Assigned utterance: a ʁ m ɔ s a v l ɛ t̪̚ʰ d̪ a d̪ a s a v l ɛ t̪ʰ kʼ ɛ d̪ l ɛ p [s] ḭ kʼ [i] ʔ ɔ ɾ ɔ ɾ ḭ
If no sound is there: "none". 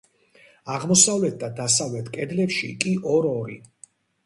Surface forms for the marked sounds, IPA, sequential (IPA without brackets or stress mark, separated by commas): ʃ, i